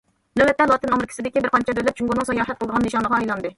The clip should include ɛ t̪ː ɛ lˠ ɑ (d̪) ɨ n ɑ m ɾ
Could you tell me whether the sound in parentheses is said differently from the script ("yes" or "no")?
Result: yes